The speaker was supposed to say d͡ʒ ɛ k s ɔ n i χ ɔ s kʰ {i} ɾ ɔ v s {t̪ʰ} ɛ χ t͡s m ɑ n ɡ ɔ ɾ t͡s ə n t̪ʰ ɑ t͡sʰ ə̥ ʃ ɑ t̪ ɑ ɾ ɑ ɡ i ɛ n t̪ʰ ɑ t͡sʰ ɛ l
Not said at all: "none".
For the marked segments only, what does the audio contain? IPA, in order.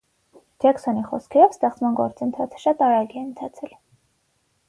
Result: ɛ, t̪

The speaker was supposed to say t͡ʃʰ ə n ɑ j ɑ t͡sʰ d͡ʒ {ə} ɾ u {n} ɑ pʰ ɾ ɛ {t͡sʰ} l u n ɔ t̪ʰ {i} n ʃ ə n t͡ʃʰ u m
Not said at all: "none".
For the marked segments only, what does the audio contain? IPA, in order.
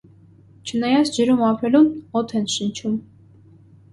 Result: ə, m, none, ɛ

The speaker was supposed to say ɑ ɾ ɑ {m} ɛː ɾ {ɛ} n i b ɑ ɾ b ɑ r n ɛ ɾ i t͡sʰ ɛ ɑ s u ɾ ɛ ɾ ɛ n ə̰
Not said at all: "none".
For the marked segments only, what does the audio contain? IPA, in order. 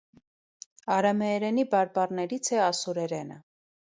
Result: m, ɛ

